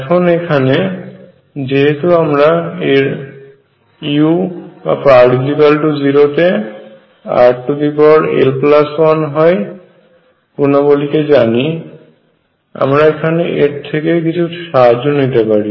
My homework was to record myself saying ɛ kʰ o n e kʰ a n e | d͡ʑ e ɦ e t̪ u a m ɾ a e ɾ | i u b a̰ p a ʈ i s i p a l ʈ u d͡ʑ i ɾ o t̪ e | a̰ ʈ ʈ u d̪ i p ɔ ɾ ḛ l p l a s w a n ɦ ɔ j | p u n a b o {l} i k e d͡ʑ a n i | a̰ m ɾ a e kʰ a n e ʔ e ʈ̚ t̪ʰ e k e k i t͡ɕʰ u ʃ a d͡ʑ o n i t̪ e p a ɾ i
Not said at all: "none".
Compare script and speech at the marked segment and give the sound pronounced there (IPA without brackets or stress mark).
l